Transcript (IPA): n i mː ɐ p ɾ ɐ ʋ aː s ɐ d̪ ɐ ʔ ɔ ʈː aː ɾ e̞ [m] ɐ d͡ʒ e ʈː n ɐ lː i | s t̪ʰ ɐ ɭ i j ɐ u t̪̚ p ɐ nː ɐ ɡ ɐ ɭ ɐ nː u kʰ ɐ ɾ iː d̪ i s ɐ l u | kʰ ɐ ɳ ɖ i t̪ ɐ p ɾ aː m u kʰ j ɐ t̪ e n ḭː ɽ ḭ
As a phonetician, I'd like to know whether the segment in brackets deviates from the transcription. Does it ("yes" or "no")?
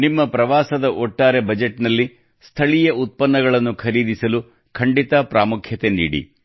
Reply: yes